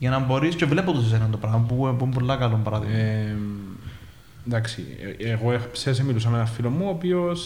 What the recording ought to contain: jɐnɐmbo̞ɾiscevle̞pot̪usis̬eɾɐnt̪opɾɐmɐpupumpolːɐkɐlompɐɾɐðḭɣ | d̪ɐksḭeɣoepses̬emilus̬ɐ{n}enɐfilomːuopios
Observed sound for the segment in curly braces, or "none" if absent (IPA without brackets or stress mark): m